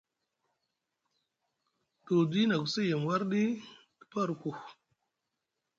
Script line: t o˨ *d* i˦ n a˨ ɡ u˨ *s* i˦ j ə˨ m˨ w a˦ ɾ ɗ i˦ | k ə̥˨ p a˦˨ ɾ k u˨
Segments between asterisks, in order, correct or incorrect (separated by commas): correct, correct